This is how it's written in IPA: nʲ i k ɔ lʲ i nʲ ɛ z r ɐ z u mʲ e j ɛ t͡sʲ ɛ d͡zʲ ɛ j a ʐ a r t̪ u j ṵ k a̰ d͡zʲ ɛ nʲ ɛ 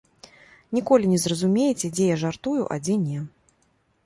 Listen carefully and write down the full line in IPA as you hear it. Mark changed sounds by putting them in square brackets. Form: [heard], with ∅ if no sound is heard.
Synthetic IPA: nʲ i k ɔ lʲ i nʲ ɛ z r ɐ z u mʲ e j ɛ t͡sʲ ɛ d͡zʲ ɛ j a ʐ a r t̪ u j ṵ [ʔ] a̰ d͡zʲ ɛ nʲ ɛ